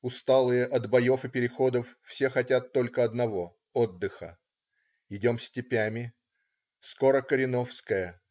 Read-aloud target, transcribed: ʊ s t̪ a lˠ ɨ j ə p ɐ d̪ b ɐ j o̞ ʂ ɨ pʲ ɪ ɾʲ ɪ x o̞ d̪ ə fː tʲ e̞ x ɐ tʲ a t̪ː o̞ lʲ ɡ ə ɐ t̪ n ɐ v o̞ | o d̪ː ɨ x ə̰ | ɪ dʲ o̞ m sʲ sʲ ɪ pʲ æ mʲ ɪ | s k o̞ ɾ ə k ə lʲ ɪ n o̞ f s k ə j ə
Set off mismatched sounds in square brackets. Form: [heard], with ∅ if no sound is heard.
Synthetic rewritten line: ʊ s t̪ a lˠ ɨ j ə [ʔ] ɐ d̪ b ɐ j o̞ [f] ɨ pʲ ɪ ɾʲ ɪ x o̞ d̪ ə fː [sʲ] e̞ x ɐ tʲ a t̪ː o̞ lʲ [k] ə ɐ [d̪] n ɐ v o̞ | o d̪ː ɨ x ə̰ | ɪ dʲ o̞ m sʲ [tʲ] ɪ pʲ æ mʲ ɪ | s k o̞ ɾ ə k ə [ɾʲ] ɪ n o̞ f s k ə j ə